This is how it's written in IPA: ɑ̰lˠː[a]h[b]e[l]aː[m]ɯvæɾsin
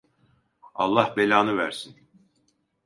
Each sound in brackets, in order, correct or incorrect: incorrect: ɑ, correct, correct, incorrect: n

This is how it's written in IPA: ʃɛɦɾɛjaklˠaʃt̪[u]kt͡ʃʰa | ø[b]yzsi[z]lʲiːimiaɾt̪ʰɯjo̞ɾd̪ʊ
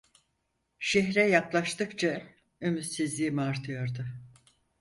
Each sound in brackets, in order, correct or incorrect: incorrect: ɯ, incorrect: m, correct

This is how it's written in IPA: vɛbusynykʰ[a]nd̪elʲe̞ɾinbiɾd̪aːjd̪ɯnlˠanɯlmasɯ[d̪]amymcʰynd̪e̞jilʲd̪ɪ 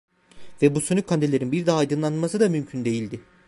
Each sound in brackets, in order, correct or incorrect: correct, correct

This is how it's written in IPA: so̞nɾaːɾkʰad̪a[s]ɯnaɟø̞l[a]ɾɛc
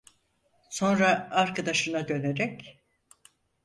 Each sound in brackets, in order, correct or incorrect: incorrect: ʃ, incorrect: e

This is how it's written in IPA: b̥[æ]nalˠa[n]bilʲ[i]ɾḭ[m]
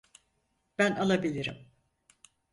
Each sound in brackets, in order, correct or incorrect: correct, incorrect: none, correct, correct

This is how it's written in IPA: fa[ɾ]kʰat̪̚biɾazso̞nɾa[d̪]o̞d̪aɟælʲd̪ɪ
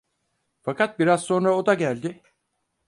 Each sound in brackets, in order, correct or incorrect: incorrect: none, incorrect: none

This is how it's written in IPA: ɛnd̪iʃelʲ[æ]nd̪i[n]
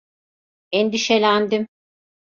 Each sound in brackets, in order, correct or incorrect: correct, incorrect: m

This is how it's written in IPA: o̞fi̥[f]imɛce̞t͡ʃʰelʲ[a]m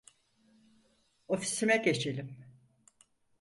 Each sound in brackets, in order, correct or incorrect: incorrect: s, incorrect: i

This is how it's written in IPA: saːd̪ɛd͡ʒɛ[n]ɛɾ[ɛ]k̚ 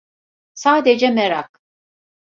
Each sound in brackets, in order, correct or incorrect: incorrect: m, incorrect: a

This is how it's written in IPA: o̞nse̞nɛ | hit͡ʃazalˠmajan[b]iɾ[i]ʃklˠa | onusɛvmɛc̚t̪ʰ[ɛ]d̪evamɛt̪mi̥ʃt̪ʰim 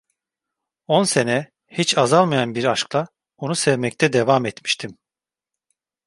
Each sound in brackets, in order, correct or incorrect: correct, incorrect: a, correct

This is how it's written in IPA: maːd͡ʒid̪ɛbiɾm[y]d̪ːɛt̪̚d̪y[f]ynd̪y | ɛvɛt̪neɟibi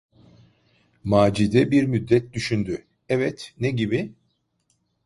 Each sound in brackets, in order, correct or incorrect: correct, incorrect: ʃ

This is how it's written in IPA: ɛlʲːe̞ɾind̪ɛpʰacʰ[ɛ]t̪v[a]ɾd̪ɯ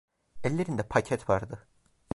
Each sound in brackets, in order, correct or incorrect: correct, correct

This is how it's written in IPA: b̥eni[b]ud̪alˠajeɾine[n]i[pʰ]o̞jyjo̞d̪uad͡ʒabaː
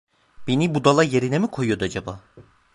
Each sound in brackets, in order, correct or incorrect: correct, incorrect: m, incorrect: kʰ

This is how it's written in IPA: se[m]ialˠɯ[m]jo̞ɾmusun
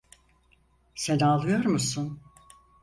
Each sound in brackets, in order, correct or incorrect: incorrect: n, incorrect: none

